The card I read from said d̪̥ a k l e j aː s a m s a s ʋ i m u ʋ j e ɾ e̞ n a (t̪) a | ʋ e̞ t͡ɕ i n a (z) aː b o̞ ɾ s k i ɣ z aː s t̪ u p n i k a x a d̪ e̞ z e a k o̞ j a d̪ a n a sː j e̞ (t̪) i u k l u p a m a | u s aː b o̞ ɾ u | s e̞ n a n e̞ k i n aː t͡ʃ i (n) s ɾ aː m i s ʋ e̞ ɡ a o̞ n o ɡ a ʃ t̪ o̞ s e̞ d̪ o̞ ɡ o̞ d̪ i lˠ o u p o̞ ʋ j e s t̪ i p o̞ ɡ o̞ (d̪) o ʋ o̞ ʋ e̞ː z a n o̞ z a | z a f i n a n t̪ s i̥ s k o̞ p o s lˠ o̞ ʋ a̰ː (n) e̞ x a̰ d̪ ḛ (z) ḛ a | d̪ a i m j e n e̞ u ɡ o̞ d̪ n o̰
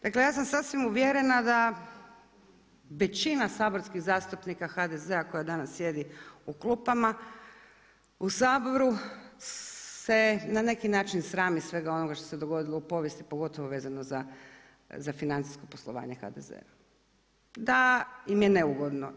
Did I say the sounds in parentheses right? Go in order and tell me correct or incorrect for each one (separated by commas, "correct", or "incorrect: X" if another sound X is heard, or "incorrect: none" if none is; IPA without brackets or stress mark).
incorrect: d̪, incorrect: s, incorrect: d̪, correct, incorrect: t̪, incorrect: ɲ, correct